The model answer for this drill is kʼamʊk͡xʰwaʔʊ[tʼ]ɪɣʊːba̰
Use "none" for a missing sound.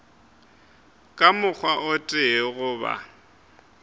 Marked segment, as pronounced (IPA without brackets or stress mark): tʼ